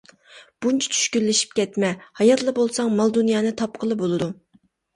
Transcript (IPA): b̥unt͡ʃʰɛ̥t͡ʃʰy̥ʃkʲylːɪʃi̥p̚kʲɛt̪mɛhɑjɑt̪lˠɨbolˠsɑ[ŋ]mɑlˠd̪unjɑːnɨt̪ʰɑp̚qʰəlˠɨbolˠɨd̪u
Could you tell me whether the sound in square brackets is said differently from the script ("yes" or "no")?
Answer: no